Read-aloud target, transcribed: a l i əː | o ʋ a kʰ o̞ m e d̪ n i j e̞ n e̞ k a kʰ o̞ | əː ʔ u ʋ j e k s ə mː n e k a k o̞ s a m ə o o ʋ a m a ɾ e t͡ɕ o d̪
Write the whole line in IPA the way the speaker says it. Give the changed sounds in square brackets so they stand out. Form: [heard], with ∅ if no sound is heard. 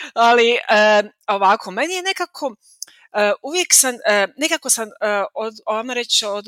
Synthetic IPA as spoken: a l i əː | o ʋ a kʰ o̞ m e [∅] n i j e̞ n e̞ k a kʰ o̞ | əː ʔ u ʋ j e k s [a] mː n e k a k o̞ s a m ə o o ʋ a m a ɾ e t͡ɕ o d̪